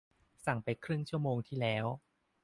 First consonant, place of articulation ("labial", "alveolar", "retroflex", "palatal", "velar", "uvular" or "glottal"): alveolar